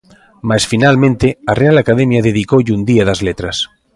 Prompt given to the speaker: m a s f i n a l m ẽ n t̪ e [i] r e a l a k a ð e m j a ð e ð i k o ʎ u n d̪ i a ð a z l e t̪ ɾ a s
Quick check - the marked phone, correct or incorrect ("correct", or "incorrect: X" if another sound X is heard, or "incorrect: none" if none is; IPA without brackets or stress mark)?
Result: incorrect: a